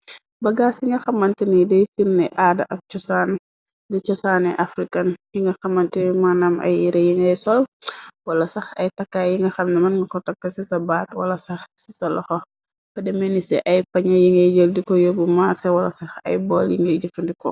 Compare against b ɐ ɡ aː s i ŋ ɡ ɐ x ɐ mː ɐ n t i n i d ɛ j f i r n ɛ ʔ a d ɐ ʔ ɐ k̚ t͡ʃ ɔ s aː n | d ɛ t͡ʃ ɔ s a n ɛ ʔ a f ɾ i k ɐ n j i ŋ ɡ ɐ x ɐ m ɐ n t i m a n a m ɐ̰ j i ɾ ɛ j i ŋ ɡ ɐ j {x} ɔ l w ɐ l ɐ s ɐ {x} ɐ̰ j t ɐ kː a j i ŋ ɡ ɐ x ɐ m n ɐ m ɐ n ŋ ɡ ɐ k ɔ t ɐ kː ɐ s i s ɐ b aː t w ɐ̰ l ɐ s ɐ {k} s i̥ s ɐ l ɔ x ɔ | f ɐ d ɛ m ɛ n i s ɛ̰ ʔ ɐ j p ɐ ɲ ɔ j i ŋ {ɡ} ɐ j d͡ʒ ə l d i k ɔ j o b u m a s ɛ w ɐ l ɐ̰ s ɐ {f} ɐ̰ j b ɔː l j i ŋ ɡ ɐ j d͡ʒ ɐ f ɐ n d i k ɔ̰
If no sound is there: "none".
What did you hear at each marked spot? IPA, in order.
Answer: s, x, x, ɡ, x

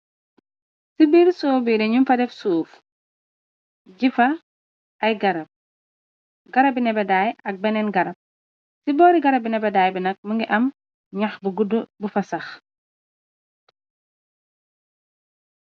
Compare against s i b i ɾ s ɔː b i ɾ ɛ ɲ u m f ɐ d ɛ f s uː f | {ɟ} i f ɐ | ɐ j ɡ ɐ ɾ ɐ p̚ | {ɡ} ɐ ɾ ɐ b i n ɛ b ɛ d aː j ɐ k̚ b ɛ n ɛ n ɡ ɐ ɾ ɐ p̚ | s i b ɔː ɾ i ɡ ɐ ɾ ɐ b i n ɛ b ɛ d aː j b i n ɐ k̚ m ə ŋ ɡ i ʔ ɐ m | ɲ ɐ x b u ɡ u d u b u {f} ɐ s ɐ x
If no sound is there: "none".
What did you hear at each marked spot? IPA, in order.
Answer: ɟ, ɡ, f

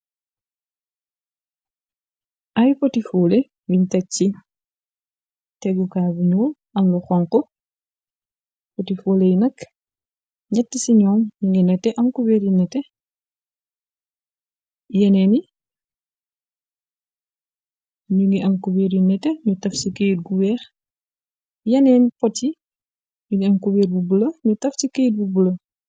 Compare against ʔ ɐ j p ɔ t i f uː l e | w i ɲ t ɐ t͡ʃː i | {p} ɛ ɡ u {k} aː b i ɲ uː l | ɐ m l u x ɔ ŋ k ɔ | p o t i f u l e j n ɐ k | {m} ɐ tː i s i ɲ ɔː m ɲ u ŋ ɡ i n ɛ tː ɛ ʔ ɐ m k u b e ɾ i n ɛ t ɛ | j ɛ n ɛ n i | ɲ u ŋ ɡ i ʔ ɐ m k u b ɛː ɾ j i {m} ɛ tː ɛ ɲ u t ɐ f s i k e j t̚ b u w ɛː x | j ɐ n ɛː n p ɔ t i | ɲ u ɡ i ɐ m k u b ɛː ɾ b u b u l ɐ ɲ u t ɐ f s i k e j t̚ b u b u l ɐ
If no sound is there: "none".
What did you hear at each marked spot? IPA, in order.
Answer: t, k, ɲ, n

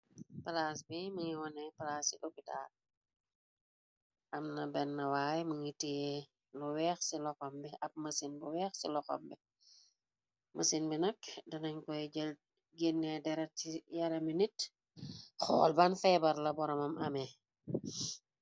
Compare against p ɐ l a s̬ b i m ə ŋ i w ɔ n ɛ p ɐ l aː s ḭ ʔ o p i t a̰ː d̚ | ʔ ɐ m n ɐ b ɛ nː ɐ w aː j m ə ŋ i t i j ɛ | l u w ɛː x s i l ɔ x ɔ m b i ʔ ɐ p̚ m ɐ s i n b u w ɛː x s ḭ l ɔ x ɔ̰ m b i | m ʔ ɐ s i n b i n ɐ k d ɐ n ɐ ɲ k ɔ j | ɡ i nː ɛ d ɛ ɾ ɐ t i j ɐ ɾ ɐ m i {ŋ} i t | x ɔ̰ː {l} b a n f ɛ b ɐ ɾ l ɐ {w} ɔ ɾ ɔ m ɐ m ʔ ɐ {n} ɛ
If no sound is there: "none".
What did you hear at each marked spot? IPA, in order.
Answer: n, l, b, m

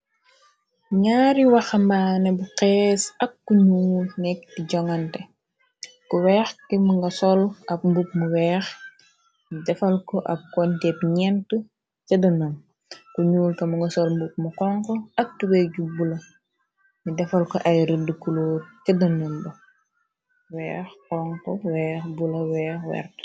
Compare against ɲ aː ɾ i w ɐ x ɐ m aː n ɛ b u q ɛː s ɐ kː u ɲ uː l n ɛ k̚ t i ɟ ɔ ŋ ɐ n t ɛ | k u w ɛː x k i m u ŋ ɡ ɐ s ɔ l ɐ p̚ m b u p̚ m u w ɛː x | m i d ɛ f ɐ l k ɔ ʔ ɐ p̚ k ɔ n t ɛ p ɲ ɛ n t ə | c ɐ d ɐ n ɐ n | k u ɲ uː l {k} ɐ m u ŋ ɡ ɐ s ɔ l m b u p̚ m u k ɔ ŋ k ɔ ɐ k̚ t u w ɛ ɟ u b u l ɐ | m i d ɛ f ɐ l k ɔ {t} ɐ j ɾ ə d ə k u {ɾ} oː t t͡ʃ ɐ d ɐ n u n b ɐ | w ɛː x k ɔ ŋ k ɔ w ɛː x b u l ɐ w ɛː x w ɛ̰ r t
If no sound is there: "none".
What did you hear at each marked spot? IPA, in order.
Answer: k, ʔ, l

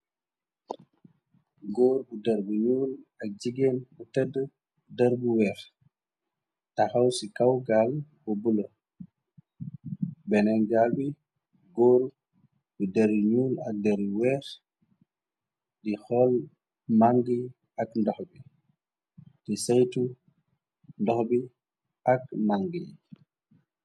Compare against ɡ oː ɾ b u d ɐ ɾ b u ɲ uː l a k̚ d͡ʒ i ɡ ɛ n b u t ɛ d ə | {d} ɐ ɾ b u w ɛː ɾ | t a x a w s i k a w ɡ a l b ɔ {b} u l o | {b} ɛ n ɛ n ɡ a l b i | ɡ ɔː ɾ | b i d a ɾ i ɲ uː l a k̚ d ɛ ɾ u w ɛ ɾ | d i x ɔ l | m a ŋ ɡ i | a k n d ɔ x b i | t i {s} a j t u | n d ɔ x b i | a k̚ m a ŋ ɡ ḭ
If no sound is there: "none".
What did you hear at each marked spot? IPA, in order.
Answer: d, b, b, s

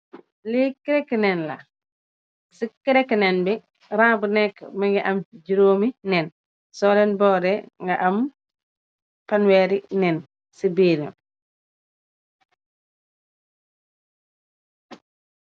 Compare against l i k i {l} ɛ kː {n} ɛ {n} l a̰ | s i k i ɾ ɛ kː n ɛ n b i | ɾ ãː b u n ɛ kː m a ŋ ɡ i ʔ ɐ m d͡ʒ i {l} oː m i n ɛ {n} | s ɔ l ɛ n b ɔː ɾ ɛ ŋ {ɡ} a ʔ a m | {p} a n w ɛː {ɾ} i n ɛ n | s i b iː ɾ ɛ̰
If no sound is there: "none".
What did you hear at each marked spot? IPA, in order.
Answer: ɾ, n, n, ɾ, n, ɡ, p, ɾ

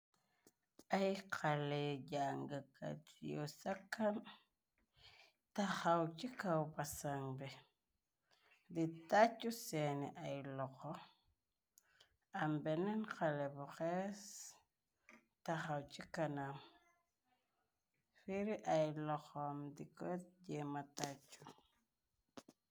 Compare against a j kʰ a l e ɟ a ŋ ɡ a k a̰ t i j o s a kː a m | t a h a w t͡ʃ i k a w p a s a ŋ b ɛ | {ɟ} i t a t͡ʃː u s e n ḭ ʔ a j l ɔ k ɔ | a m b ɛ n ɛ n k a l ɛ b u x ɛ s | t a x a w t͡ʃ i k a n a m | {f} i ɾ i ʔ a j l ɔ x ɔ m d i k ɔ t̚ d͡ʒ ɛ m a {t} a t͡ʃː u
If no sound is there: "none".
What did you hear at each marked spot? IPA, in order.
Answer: d, f, t

